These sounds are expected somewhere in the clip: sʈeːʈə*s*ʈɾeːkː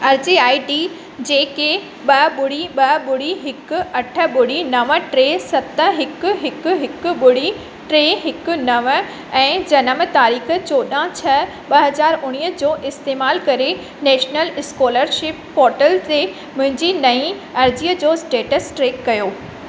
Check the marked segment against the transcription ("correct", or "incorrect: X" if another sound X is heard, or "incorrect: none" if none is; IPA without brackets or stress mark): correct